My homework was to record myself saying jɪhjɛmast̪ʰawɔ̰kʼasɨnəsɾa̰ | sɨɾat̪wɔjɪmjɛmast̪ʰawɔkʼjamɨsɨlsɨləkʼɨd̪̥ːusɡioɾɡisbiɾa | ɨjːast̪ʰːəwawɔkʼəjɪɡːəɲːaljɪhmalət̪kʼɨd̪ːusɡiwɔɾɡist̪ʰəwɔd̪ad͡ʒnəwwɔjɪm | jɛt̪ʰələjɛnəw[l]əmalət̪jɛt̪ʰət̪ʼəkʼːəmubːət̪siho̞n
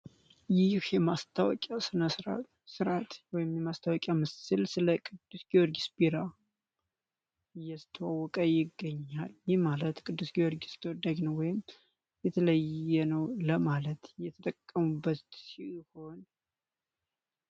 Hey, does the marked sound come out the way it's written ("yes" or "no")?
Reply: yes